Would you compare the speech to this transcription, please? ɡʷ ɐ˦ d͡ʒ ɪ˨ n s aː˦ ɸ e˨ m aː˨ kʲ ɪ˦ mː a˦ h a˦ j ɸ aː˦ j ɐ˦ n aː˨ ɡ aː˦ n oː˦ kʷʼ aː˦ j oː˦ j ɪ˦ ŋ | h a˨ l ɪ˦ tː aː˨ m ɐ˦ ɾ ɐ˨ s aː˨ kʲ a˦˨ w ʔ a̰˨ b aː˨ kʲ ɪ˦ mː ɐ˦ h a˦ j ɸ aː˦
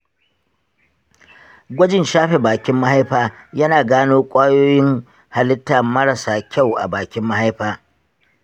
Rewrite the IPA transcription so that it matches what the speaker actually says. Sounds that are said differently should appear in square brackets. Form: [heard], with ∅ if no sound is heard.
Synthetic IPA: ɡʷ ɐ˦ d͡ʒ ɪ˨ n [ʃ] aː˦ ɸ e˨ [b] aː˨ kʲ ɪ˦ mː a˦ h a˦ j ɸ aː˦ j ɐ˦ n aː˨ ɡ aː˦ n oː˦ kʷʼ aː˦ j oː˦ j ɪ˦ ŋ | h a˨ l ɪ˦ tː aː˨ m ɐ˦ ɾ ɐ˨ s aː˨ kʲ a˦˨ w ʔ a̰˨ b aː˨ kʲ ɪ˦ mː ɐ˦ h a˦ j ɸ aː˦